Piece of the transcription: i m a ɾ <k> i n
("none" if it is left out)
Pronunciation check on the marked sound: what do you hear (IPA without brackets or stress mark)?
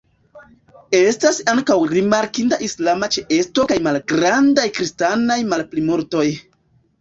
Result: k